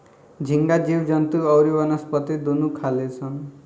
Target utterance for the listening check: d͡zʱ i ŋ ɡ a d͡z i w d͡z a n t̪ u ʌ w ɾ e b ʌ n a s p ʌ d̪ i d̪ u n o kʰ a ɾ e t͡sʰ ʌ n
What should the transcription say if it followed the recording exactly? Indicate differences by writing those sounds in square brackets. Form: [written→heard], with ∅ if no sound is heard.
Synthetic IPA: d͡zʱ i ŋ ɡ a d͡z i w d͡z [a→ʌ] n t̪ u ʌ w ɾ [e→i] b ʌ n [a→ʌ] s p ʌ [d̪→t̪] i d̪ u n [o→u] kʰ a [ɾ→l] e t͡sʰ ʌ n